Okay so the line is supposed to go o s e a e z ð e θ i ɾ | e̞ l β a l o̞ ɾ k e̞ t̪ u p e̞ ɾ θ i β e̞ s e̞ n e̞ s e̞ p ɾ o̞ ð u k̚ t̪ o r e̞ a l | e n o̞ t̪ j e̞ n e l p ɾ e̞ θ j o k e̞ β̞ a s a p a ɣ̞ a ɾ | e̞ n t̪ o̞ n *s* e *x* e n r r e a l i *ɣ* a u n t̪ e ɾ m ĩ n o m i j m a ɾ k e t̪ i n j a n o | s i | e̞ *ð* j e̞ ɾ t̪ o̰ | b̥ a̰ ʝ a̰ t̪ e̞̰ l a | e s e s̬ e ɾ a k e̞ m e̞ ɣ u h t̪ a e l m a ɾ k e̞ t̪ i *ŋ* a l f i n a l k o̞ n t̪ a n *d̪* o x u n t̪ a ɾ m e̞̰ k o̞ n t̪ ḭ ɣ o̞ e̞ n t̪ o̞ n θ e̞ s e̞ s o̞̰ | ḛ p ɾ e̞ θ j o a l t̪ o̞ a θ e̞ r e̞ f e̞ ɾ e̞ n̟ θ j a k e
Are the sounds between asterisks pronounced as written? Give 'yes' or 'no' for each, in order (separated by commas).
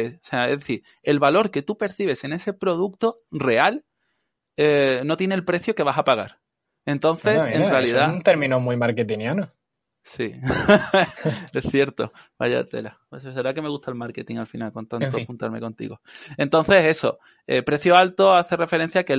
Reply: no, no, no, no, yes, no